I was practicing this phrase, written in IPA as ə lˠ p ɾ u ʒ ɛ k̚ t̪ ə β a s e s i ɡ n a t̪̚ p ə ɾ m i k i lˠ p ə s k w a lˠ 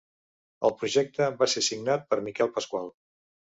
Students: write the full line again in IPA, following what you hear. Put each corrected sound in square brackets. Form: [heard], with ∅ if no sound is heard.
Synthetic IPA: ə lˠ p ɾ u ʒ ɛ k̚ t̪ ə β a s e s i ɡ n a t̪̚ p ə ɾ m i k [ɛ] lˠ p ə s k w a lˠ